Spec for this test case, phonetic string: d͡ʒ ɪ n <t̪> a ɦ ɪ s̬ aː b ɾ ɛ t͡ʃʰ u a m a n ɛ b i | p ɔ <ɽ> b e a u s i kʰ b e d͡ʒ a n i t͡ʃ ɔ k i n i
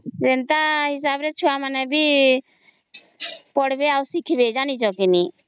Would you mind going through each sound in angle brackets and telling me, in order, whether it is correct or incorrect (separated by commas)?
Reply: correct, correct